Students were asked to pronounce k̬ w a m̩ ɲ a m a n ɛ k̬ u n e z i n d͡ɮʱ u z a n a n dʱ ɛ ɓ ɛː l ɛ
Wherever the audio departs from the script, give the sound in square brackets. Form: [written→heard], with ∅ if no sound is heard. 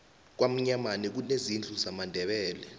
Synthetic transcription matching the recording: k̬ w a m̩ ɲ a m a n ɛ k̬ u n e z i n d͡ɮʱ u z a [n→m] a n dʱ ɛ ɓ ɛː l ɛ